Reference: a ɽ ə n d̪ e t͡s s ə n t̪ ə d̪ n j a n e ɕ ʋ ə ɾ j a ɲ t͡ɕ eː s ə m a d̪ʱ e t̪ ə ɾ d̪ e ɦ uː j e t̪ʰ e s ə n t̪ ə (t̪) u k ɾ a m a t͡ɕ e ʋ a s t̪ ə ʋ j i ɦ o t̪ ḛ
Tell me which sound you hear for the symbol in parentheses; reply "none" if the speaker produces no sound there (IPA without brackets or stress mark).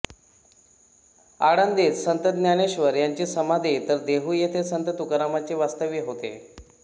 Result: t̪